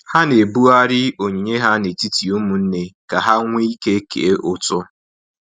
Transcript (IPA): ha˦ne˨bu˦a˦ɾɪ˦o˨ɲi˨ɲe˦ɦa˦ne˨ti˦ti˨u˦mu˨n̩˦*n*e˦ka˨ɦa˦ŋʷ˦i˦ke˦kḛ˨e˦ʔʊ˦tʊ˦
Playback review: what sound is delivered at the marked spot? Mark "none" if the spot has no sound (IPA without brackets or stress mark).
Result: n